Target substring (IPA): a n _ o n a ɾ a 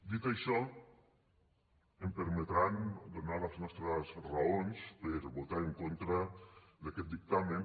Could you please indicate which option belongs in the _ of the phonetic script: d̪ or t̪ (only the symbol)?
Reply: d̪